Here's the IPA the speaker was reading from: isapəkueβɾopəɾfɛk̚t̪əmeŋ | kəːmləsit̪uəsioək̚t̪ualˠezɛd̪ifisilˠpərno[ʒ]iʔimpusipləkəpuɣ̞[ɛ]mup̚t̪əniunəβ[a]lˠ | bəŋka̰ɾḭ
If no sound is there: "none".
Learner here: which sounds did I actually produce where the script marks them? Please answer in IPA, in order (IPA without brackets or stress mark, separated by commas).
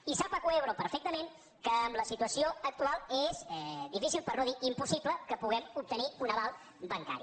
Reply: ð, ɛ, a